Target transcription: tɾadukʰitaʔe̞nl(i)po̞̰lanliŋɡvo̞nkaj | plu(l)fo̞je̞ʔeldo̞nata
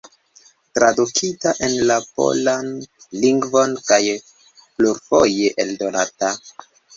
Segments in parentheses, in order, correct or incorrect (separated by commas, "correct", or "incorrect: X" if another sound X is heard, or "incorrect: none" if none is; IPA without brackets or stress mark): incorrect: a, incorrect: ɾ